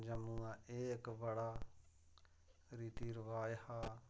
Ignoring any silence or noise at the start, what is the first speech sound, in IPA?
d͡ʒ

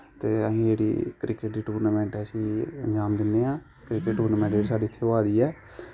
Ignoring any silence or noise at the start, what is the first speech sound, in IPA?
t̪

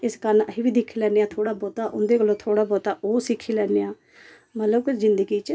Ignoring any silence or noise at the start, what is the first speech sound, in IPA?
ɪ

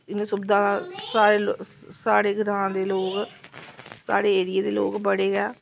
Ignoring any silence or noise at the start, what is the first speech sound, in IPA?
ɪ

